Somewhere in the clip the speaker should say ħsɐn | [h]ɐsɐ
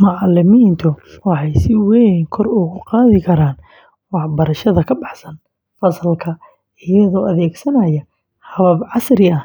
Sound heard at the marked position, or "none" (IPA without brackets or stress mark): f